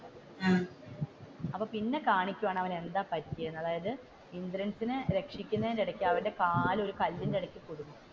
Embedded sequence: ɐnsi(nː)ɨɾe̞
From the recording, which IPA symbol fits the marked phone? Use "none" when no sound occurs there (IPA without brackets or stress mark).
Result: n